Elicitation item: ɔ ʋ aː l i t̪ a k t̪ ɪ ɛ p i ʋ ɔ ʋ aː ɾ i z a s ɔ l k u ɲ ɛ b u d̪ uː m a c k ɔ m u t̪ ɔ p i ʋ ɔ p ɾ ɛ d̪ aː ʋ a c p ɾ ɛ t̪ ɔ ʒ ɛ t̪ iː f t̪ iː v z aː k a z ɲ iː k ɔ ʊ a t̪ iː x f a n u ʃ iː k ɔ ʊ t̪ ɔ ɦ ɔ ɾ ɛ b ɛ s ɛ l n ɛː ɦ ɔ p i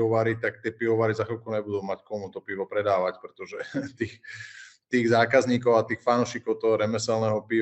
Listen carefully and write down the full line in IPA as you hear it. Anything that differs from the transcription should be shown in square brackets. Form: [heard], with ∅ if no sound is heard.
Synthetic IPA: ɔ ʋ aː [ɾ] i t̪ a k t̪ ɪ ɛ p i ʋ ɔ ʋ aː ɾ i z a [x] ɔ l k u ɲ ɛ b u d̪ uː m a c k ɔ m u t̪ ɔ p i ʋ ɔ p ɾ ɛ d̪ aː ʋ a c p ɾ ɛ t̪ ɔ ʒ ɛ t̪ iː [x] t̪ iː [ɣ] z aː k a z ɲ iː k ɔ ʊ a t̪ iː x f a n u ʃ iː k ɔ ʊ t̪ ɔ ɦ ɔ ɾ ɛ [m] ɛ s ɛ l n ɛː ɦ ɔ p i